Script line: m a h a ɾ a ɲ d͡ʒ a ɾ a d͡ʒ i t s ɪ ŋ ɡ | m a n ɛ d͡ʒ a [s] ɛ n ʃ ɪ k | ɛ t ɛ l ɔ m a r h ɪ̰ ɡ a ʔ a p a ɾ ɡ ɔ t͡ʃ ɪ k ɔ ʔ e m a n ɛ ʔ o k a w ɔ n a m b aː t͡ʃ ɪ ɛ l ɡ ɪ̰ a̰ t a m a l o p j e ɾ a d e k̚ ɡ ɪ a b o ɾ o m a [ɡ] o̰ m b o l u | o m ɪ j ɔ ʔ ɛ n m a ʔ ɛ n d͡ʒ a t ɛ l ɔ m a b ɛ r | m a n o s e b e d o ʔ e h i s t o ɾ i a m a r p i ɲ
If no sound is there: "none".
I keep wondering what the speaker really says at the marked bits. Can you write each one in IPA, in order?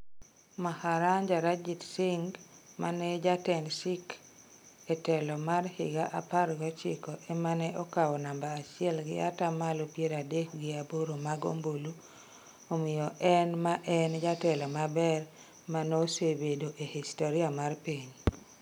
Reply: t, ɡ

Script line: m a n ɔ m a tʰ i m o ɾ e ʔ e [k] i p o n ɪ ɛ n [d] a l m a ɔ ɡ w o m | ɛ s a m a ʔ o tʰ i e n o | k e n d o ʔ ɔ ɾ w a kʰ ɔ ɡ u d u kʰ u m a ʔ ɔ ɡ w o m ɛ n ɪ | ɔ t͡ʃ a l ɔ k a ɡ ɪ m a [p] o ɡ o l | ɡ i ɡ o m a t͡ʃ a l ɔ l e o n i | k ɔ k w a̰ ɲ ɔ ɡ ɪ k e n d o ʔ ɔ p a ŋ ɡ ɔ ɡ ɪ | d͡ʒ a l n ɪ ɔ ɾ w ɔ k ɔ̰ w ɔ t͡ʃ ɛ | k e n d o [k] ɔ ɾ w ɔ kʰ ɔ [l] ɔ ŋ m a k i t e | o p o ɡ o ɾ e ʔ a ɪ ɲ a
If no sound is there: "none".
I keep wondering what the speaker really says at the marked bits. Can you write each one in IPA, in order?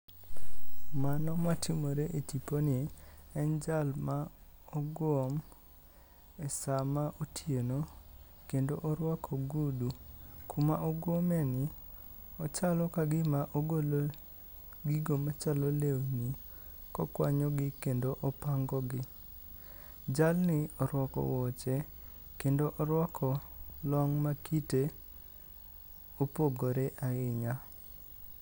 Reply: t, d͡ʒ, ʔ, ʔ, l

